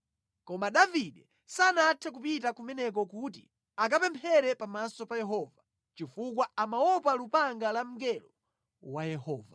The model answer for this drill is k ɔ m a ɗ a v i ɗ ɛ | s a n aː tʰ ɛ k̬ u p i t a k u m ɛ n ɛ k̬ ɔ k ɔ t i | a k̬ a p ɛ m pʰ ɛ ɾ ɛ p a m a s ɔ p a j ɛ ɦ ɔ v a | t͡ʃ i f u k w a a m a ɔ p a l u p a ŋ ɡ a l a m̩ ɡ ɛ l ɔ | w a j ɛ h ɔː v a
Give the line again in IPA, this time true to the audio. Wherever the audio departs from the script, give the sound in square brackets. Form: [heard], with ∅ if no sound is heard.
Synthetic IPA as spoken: k ɔ m a ɗ a v i ɗ ɛ | s a n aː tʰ ɛ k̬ u p i t a k u m ɛ n ɛ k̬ ɔ k [u] t i | a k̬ a p ɛ m pʰ ɛ ɾ ɛ p a m a s ɔ p a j ɛ ɦ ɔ v a | t͡ʃ i f u k w a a m a ɔ p a l u p a ŋ ɡ a l a m̩ ɡ ɛ l ɔ | w a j ɛ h ɔː v a

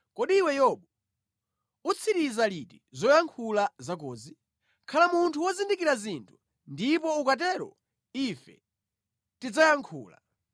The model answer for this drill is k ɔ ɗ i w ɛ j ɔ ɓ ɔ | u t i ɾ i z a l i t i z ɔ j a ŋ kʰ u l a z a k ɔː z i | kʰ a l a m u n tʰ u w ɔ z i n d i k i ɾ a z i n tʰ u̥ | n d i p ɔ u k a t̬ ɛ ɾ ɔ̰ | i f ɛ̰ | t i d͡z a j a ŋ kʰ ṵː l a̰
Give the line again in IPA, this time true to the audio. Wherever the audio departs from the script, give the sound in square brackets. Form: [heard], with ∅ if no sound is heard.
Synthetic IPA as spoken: k ɔ ɗ i w ɛ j ɔ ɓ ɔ | u [t͡sʰ] i ɾ i z a l i t i z ɔ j a ŋ kʰ u l a z a k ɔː z i | kʰ a l a m u n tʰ u w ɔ z i n d i k i ɾ a z i n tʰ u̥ | n d i p ɔ u k a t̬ ɛ ɾ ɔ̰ | i f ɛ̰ | t i d͡z a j a ŋ kʰ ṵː l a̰

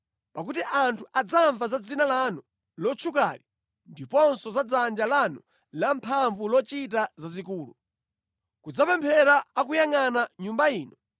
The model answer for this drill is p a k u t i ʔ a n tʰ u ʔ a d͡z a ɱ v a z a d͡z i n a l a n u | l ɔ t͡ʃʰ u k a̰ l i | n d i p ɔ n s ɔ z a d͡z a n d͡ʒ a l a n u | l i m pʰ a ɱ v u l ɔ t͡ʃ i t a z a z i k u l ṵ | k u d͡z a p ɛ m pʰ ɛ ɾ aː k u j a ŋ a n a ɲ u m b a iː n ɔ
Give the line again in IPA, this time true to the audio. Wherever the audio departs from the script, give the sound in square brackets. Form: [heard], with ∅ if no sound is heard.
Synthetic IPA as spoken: p a k u t i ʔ a n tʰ u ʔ a d͡z a ɱ v a z a d͡z i n a l a n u | l ɔ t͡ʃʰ u k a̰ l i | n d i p ɔ n s ɔ z a d͡z a n d͡ʒ a l a n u | l [a] m pʰ a ɱ v u l ɔ t͡ʃ i t a z a z i k [uː] l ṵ | k u d͡z a p ɛ m pʰ ɛ ɾ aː k u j a ŋ a n a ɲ u m b a iː n ɔ

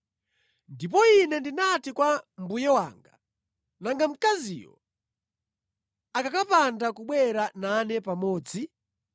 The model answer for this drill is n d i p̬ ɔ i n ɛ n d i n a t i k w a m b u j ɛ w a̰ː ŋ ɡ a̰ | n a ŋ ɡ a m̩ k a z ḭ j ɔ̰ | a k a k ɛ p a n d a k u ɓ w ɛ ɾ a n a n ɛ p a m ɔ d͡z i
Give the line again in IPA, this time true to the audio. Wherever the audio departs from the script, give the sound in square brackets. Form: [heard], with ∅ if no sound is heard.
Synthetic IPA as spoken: n d i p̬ ɔ i n ɛ n d i n a t i k w a m b u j ɛ w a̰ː ŋ ɡ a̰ | n a ŋ ɡ a m̩ k a z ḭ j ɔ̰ | a k a k [a] p a n d a k u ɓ w ɛ ɾ a n a n ɛ p a m [ɔː] d͡z i

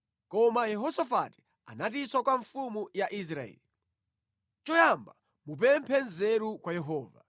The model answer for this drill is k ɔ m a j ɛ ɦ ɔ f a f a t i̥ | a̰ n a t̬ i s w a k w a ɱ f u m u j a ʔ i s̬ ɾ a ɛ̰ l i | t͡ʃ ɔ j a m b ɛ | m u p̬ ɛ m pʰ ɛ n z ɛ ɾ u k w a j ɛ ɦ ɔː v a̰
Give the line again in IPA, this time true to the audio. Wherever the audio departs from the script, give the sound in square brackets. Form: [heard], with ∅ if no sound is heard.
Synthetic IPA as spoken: k ɔ m a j ɛ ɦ ɔ [s] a f a t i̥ | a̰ n a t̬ i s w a k w a ɱ f u m u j a ʔ i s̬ ɾ a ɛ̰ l i | t͡ʃ ɔ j a m b [a] | m u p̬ ɛ m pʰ ɛ n z ɛ ɾ u k w a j ɛ ɦ ɔː v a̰

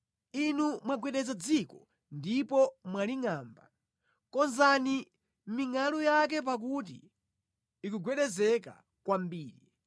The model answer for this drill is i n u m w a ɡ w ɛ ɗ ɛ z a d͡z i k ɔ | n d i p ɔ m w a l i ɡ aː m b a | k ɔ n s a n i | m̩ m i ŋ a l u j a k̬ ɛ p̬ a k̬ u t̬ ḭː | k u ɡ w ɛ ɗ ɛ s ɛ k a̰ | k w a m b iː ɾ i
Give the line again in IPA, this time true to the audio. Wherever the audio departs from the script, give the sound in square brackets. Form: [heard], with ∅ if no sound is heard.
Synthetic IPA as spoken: i n u m w a ɡ w ɛ ɗ ɛ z a d͡z i k ɔ | n d i p ɔ m w a l i [ŋ] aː m b a | k ɔ n [z] a n i | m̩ m i ŋ a l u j a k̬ ɛ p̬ a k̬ u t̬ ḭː | k u ɡ w ɛ ɗ ɛ [z] ɛ k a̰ | k w a m b iː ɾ i

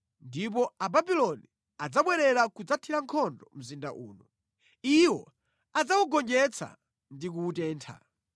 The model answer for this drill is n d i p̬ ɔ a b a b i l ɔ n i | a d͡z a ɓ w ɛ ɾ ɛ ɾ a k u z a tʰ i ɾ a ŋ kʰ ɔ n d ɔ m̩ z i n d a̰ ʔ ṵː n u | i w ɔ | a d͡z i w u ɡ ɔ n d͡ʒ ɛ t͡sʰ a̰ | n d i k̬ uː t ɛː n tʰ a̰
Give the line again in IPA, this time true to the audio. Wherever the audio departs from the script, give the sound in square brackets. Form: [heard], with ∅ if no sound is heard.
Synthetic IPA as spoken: n d i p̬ ɔ a b a b i l ɔ n i | a d͡z a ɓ w ɛ ɾ ɛ ɾ a k u [d͡z] a tʰ i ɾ a ŋ kʰ ɔ n d ɔ m̩ z i n d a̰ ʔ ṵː n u | i w ɔ | a d͡z [a] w u ɡ ɔ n d͡ʒ ɛ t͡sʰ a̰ | n d i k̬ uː t ɛː n tʰ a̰

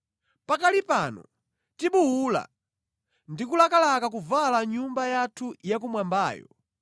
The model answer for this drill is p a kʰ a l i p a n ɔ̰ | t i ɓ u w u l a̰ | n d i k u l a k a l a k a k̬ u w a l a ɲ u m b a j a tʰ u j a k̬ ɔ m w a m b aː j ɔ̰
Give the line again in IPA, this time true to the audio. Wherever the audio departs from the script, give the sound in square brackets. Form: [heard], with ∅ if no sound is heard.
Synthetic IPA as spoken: p a [k] a l i p a n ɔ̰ | t i ɓ u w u l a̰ | n d i k u l a k a l a k a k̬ u [v] a l a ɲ u m b a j a tʰ u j a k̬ [u] m w a m b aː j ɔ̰

